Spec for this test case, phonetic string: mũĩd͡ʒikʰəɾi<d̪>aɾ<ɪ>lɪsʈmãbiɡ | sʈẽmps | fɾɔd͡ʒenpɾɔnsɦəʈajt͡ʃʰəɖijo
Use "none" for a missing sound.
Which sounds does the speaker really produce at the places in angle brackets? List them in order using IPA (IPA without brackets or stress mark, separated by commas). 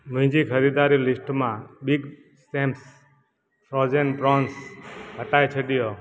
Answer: d̪, i